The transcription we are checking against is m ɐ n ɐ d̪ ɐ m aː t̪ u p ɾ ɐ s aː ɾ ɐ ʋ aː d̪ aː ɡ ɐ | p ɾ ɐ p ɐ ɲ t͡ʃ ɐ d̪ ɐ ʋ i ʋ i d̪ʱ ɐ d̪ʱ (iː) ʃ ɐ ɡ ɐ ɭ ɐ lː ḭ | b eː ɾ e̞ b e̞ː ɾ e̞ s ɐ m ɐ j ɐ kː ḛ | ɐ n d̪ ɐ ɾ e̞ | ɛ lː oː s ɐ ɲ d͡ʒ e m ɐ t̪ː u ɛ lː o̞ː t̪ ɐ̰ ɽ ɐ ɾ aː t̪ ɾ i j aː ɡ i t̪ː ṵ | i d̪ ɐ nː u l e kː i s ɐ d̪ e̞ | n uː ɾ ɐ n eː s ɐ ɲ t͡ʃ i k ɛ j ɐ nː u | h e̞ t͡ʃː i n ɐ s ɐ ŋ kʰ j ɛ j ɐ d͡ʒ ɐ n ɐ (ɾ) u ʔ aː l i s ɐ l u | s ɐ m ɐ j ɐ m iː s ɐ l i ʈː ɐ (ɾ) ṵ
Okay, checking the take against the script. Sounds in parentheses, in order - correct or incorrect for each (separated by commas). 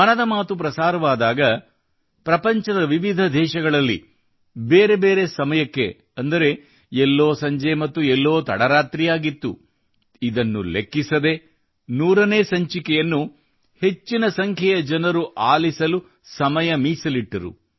incorrect, correct, correct